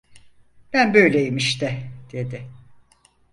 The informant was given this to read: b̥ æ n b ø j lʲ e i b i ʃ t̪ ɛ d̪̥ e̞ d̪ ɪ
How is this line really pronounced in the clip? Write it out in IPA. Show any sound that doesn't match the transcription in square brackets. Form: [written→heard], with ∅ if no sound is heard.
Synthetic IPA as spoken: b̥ æ n b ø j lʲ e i [b→m] i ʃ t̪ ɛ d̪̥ e̞ d̪ ɪ